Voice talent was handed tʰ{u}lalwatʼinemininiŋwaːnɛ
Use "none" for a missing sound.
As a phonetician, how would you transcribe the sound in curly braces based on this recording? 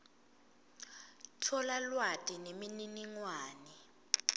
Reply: ɔ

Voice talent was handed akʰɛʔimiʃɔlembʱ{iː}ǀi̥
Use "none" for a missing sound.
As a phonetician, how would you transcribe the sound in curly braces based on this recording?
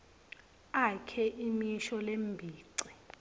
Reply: iː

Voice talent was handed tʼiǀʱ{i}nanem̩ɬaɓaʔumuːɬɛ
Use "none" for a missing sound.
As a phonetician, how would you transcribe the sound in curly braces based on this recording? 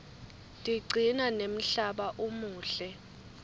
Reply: i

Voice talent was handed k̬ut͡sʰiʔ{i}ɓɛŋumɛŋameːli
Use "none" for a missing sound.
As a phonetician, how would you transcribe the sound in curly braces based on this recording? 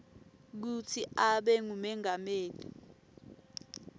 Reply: a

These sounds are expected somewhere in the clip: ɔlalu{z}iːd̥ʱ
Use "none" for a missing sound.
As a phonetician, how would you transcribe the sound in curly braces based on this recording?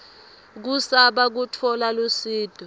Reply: s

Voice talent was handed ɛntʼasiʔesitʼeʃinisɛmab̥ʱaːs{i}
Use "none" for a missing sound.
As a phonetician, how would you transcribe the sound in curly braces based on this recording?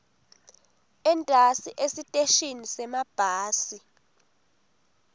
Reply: i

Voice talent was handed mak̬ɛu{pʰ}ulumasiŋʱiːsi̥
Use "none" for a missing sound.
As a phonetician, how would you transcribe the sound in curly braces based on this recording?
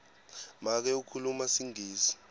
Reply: kʰ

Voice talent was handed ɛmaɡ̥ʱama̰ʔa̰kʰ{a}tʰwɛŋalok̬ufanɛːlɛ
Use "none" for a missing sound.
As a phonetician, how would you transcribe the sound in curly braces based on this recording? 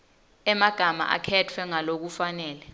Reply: ɛ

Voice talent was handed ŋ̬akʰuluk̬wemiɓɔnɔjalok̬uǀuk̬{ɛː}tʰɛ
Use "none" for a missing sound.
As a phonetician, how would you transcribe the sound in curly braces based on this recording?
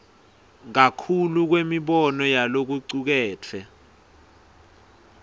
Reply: ɛː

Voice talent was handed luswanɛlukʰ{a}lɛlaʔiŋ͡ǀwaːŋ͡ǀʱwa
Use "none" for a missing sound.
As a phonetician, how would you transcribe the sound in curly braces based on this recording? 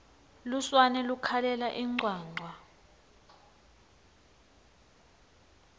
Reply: a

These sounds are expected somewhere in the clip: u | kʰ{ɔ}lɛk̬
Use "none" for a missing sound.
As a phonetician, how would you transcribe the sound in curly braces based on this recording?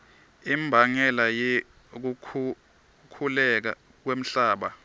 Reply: u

